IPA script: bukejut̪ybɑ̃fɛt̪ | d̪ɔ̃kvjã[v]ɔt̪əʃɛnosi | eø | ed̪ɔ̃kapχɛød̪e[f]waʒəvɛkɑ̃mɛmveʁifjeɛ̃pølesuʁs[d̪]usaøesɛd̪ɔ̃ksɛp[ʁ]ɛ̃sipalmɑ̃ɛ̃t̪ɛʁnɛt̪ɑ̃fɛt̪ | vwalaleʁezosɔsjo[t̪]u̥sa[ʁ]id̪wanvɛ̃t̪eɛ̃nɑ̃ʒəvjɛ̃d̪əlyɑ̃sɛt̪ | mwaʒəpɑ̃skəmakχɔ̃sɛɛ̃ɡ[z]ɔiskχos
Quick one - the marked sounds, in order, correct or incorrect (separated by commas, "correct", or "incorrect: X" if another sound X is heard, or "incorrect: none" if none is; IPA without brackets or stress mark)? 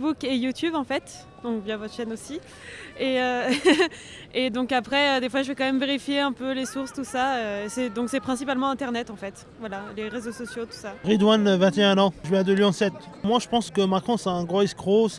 correct, correct, incorrect: t̪, incorrect: χ, correct, correct, incorrect: ʁ